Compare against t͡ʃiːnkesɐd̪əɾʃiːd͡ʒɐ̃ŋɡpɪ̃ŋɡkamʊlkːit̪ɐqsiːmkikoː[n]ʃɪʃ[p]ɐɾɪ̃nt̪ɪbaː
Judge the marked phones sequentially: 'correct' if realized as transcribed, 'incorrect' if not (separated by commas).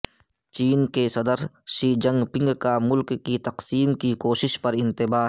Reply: incorrect, correct